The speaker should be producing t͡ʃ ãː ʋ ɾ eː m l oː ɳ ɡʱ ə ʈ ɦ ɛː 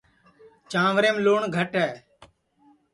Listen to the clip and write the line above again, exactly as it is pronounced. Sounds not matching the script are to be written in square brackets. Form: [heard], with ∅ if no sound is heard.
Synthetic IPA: t͡ʃ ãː ʋ ɾ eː m l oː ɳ ɡʱ ə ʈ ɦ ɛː

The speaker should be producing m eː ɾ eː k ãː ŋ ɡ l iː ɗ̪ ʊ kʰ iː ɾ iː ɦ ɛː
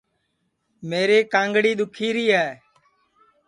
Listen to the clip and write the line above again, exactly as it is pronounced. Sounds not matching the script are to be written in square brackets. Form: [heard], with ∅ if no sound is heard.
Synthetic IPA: m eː ɾ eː k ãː ŋ ɡ [ɽ] iː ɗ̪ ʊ kʰ iː ɾ iː ɦ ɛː

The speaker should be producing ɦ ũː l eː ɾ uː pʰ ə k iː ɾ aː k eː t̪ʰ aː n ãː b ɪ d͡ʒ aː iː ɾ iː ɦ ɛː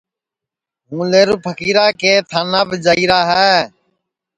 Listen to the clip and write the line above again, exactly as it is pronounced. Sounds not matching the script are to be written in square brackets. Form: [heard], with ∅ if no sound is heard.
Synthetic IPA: ɦ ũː l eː ɾ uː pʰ ə k iː ɾ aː k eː t̪ʰ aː n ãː b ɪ d͡ʒ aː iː ɾ [aː] ɦ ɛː

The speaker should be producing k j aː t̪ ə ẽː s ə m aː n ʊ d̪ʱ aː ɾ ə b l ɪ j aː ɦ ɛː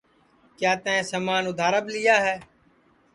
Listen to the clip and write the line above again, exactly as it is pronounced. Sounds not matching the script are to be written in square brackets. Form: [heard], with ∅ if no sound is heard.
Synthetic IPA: k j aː t̪ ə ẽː s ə m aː n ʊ d̪ʱ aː ɾ ə b l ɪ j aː ɦ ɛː

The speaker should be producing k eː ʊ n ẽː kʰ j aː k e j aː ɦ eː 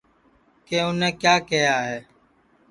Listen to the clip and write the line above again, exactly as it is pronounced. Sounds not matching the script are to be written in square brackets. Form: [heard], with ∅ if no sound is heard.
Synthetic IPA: k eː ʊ n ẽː [k] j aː k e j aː ɦ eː

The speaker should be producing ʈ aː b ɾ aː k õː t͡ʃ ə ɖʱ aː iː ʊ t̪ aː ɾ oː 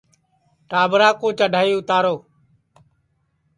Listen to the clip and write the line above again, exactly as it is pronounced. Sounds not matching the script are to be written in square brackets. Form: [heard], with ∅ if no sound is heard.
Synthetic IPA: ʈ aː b ɾ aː k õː t͡ʃ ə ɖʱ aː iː ʊ t̪ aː ɾ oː

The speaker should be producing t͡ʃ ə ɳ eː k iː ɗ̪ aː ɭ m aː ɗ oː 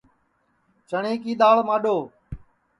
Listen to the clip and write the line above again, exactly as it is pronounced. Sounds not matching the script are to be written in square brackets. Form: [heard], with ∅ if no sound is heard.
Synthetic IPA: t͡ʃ ə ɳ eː k iː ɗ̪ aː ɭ m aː ɗ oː

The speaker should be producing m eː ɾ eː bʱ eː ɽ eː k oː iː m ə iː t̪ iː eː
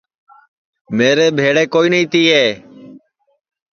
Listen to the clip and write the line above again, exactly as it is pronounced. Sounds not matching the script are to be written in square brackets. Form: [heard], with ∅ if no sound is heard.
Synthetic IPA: m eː ɾ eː bʱ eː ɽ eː k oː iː [n] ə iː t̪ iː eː

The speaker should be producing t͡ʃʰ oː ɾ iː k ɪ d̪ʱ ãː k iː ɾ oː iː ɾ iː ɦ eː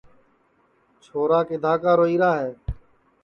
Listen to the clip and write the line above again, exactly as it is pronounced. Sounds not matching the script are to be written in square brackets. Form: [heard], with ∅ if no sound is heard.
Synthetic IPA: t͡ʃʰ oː ɾ [aː] k ɪ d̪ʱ [aː] k [aː] ɾ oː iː ɾ [aː] ɦ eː

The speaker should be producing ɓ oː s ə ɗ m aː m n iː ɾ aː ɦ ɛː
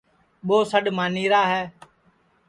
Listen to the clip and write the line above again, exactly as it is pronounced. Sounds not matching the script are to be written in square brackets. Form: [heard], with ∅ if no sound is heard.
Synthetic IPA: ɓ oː s ə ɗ m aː [∅] n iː ɾ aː ɦ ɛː

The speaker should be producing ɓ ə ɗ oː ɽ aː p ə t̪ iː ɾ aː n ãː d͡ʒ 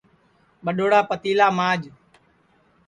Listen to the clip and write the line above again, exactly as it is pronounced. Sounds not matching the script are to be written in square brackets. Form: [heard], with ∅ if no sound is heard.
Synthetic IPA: ɓ ə ɗ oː ɽ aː p ə t̪ iː [l] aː [m] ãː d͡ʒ

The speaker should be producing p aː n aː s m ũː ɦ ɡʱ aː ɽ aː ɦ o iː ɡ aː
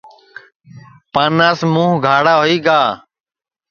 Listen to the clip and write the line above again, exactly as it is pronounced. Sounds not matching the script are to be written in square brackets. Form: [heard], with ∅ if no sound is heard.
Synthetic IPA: p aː n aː s m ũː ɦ ɡʱ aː ɽ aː ɦ o iː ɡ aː

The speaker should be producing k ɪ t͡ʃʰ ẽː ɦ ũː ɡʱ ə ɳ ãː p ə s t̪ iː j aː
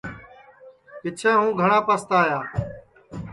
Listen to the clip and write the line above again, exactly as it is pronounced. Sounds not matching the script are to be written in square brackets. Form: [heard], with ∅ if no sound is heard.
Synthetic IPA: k ɪ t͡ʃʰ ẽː ɦ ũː ɡʱ ə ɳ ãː p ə s t̪ [aː] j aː

